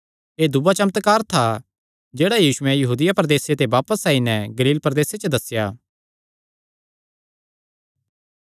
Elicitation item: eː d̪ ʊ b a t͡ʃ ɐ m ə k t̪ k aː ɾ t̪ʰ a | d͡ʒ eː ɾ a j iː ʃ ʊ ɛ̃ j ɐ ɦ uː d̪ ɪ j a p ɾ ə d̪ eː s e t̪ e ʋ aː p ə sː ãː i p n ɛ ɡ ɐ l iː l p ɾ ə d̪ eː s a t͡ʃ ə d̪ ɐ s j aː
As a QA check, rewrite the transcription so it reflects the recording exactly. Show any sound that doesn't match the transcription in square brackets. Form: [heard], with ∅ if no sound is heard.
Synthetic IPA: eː d̪ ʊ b a t͡ʃ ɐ m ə [∅] t̪ k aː ɾ t̪ʰ a | d͡ʒ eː [ɽ] a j iː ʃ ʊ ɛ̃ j ɐ ɦ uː d̪ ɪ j a p ɾ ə d̪ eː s e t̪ e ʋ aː p ə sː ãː i [∅] n ɛ ɡ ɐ l iː l p ɾ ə d̪ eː s [e] t͡ʃ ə d̪ ɐ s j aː